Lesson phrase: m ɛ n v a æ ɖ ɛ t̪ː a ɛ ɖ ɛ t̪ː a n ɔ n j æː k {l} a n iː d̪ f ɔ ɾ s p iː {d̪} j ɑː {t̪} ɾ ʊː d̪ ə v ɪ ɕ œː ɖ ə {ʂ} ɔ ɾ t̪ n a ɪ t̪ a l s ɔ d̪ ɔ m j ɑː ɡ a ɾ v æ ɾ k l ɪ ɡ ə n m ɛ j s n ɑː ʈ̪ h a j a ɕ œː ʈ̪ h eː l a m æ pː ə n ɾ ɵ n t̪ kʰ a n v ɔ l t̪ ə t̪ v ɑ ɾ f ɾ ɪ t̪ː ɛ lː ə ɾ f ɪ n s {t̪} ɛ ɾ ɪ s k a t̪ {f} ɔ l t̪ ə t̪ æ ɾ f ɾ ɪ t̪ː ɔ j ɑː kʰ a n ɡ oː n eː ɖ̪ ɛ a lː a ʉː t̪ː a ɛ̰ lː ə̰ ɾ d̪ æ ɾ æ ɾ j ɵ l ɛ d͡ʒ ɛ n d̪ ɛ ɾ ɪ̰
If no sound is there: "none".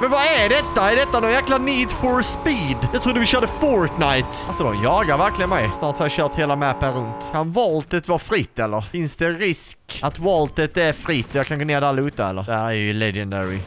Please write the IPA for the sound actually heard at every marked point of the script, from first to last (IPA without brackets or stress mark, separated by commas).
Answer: l, d̪, t̪ʰ, f, d̪, v